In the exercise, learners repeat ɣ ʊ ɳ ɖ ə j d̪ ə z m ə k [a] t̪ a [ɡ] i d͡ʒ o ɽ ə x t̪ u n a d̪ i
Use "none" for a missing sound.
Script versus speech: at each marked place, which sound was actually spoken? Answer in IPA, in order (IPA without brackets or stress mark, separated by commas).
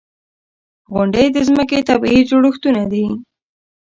e, b